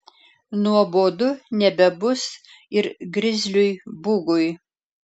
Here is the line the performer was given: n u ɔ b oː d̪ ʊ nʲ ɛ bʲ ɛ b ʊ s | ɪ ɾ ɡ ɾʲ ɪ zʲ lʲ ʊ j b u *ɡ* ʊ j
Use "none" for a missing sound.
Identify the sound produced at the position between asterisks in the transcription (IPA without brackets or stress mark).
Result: ɡ